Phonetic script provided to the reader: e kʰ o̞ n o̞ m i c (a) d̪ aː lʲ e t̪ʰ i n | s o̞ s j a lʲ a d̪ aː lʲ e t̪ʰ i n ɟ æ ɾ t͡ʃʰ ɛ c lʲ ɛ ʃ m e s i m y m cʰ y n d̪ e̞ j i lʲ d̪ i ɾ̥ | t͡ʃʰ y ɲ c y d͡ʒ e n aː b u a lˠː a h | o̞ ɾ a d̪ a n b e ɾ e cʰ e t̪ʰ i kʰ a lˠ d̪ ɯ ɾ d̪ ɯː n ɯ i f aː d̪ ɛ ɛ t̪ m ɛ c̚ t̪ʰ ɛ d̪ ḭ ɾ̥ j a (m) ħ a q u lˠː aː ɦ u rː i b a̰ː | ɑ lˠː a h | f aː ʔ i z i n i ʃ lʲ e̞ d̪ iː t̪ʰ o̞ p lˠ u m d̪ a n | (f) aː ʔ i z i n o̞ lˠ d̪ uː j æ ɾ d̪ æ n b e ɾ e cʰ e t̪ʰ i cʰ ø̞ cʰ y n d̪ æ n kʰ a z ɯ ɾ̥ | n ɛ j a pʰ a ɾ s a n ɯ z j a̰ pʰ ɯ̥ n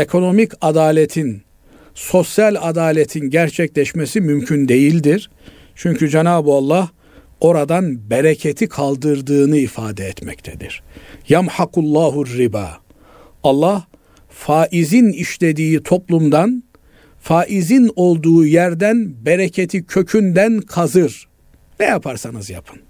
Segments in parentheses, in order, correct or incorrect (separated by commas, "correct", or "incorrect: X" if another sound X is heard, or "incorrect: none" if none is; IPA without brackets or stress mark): correct, correct, correct